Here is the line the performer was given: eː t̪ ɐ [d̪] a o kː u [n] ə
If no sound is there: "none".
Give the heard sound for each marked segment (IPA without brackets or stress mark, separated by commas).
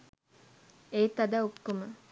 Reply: d̪, m